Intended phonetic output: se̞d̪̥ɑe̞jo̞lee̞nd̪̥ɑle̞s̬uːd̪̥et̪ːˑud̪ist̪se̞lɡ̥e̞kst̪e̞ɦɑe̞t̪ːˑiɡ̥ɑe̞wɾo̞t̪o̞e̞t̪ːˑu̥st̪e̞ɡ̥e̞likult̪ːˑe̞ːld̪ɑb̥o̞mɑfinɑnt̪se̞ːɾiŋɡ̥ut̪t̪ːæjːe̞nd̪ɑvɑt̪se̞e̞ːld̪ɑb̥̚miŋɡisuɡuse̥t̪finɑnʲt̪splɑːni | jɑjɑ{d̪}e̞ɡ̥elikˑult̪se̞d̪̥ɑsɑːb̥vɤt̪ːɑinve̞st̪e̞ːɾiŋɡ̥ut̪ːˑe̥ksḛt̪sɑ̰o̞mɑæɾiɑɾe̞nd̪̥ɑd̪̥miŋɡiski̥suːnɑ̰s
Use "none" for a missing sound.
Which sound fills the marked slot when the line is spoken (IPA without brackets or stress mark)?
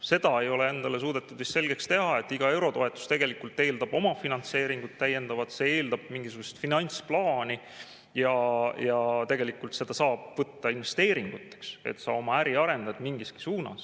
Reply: t̪